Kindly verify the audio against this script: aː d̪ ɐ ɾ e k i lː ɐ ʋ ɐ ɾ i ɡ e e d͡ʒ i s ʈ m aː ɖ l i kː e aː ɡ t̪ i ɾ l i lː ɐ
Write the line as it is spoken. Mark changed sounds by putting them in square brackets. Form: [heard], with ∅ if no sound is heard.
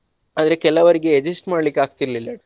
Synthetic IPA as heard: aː d̪ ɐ ɾ e k [ɛ] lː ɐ ʋ ɐ ɾ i ɡ e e d͡ʒ i s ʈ m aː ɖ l i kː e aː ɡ t̪ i ɾ l i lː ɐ